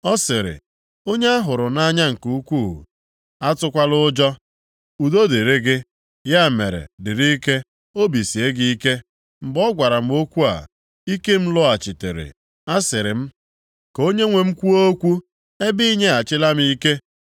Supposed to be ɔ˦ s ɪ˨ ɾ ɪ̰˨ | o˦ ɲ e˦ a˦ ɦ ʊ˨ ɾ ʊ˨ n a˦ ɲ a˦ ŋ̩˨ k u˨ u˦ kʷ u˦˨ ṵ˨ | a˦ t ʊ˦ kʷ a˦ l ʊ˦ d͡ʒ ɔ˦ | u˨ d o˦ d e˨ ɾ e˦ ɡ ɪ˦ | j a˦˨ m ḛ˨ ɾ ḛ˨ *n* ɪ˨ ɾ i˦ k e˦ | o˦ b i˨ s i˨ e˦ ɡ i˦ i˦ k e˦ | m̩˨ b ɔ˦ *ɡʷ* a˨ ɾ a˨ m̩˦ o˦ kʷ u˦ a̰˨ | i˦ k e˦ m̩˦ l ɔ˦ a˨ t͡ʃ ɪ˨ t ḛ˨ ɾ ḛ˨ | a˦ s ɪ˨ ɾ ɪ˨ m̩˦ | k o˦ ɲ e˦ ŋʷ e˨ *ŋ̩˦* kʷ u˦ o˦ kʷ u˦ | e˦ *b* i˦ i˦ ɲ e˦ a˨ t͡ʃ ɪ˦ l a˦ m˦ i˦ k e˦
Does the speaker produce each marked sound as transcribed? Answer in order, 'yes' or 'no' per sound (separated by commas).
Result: no, yes, no, yes